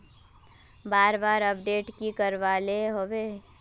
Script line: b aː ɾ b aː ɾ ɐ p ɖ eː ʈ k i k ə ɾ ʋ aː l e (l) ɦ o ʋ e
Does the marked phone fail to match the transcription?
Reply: yes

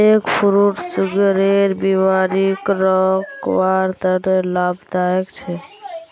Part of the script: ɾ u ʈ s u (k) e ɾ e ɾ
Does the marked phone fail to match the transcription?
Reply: yes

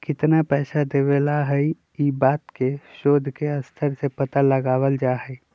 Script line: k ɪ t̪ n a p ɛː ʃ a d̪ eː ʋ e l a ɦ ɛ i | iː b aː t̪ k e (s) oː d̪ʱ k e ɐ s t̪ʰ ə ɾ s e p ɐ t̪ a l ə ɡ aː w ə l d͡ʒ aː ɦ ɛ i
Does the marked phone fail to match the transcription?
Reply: yes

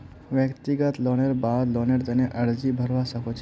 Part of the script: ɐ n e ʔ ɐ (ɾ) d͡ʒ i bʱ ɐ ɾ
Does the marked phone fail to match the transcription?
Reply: no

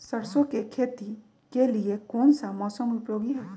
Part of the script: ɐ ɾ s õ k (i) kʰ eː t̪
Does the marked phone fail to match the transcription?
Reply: yes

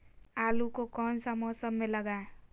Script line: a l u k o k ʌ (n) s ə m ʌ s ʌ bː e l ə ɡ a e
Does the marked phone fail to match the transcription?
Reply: no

